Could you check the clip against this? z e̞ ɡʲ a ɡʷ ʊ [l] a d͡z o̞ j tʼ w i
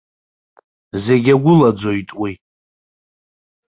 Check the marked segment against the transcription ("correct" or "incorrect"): correct